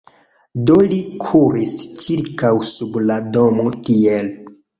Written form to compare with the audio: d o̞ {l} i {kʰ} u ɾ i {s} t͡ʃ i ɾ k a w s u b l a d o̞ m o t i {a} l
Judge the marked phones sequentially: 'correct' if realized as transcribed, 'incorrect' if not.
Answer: correct, correct, correct, incorrect: e

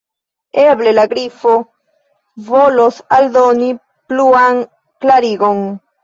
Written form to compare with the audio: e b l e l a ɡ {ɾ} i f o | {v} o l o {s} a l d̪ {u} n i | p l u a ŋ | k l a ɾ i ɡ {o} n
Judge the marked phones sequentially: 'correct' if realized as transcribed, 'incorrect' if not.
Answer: correct, correct, correct, incorrect: o, correct

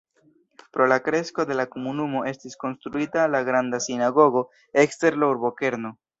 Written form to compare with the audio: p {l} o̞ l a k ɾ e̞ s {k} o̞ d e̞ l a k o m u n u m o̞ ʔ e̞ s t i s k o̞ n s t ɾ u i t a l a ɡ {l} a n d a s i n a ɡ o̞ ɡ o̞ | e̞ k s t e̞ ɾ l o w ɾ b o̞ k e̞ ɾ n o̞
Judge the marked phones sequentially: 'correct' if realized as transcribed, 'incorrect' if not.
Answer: incorrect: ɾ, correct, incorrect: ɾ

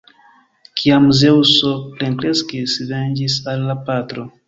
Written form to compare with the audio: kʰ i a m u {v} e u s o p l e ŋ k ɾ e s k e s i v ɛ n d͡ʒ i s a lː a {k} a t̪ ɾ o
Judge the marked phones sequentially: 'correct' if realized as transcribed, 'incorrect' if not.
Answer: incorrect: z, incorrect: p

